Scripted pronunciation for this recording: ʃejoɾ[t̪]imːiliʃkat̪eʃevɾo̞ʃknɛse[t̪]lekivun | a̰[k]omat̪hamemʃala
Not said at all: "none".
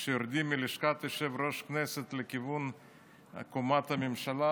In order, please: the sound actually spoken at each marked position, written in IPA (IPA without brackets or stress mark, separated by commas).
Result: d̪, t̪, k